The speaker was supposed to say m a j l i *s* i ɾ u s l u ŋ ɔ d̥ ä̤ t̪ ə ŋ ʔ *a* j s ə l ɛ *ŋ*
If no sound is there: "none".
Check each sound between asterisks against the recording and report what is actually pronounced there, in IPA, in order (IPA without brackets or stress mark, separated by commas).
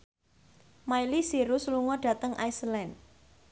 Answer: s, a, n